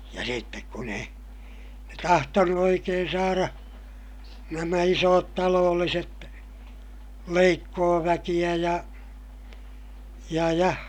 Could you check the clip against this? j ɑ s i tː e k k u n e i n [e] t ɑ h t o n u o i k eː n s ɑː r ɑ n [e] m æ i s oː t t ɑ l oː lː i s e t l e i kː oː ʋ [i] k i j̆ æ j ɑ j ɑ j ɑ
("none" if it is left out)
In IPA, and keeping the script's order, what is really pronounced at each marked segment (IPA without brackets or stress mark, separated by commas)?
e, æ, æ